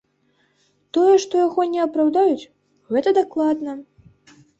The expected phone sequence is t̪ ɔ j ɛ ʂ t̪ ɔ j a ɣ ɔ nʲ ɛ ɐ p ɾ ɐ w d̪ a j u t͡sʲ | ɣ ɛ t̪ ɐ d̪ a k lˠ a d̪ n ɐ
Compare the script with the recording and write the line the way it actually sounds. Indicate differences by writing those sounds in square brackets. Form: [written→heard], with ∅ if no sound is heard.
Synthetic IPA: t̪ ɔ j ɛ ʂ t̪ ɔ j a ɣ ɔ nʲ ɛ ɐ p ɾ [ɐ→a] w d̪ a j u t͡sʲ | ɣ ɛ t̪ ɐ d̪ a k lˠ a d̪ n ɐ